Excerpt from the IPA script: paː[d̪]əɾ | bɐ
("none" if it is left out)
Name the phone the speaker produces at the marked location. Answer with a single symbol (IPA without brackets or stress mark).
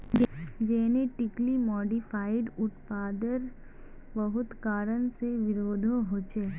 d̪